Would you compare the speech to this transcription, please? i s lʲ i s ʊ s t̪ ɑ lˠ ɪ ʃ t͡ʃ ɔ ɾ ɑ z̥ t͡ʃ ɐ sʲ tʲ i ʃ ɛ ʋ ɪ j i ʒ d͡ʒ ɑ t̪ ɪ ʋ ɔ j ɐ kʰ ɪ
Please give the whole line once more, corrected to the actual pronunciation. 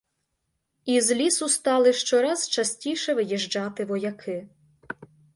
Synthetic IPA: i z lʲ i s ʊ s t̪ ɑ lˠ ɪ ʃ t͡ʃ ɔ ɾ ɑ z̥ t͡ʃ ɐ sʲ tʲ i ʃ ɛ ʋ ɪ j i ʒ d͡ʒ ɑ t̪ ɪ ʋ ɔ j ɐ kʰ ɪ